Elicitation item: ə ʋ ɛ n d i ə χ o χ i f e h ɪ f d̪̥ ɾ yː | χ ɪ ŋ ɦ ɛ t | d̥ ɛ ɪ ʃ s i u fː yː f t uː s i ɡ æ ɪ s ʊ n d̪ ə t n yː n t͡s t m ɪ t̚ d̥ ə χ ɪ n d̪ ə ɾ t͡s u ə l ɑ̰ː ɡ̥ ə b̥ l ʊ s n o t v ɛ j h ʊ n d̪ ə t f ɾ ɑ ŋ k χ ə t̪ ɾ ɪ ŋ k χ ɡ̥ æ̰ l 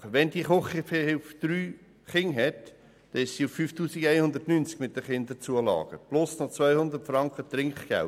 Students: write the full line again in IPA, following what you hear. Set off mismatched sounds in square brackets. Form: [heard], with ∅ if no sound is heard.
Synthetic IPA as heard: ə ʋ ɛ n d i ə χ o χ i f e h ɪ f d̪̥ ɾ yː | χ ɪ ŋ ɦ ɛ t | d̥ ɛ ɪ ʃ s i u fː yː f t uː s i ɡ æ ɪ [h] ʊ n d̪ ə t n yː n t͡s [k] m ɪ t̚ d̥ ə χ ɪ n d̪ ə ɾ t͡s u ə l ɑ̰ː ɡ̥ ə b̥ l ʊ s n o [t͡s] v [œ] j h ʊ n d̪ ə t f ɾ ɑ ŋ k χ ə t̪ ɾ ɪ ŋ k χ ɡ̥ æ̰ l